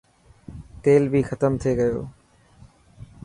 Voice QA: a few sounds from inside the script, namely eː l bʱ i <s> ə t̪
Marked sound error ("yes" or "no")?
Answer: yes